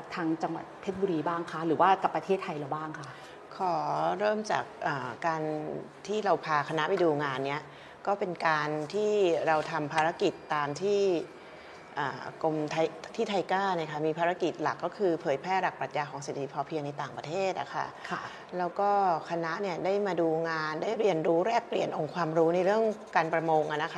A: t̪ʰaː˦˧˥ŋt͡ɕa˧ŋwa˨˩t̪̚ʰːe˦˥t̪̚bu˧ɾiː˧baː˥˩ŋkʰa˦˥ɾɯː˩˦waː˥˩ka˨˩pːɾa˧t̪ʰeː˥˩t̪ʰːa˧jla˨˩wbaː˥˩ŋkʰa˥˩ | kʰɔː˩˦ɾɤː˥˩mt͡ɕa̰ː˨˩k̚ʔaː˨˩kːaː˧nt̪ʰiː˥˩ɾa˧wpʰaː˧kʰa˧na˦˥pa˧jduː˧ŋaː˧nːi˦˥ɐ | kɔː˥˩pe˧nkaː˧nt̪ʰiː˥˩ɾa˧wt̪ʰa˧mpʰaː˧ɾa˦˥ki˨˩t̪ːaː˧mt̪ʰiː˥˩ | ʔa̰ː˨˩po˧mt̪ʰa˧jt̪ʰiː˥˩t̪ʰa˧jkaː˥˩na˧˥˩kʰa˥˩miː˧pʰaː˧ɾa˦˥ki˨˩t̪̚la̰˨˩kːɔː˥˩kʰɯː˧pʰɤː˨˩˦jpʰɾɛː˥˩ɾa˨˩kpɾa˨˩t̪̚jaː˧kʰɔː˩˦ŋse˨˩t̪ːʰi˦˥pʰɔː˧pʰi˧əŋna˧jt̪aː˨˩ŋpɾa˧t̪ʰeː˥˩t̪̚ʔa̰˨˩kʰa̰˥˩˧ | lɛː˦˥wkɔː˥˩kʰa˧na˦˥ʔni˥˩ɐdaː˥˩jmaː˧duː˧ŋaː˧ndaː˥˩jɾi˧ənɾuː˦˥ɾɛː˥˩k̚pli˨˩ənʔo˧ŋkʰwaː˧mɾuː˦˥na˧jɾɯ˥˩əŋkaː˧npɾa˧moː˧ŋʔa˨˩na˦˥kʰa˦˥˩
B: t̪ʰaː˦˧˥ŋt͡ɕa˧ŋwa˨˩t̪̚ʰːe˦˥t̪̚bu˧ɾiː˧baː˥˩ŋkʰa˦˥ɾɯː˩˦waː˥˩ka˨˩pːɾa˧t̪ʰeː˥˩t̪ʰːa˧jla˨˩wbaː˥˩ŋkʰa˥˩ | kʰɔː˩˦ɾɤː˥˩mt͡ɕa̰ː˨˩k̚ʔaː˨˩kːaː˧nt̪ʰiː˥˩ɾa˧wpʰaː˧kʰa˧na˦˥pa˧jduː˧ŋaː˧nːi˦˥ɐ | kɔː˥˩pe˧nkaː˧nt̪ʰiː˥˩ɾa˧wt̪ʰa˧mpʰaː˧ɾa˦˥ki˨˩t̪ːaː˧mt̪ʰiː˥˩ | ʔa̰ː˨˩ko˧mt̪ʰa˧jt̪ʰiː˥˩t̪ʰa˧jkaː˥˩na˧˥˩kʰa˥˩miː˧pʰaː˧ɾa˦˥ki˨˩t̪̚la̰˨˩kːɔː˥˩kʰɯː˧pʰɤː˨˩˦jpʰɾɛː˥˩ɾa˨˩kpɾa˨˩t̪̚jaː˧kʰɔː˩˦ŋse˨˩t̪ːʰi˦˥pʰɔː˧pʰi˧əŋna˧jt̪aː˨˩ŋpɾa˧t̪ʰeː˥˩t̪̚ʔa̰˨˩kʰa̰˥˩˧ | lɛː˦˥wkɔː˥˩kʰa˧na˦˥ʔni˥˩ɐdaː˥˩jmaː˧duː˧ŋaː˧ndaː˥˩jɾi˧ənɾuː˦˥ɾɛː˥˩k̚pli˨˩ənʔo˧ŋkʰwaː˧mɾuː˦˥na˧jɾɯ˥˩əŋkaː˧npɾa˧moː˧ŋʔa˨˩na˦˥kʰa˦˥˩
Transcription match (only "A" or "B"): B